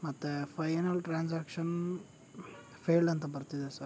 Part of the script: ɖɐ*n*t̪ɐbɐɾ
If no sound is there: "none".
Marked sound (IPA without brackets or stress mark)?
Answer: n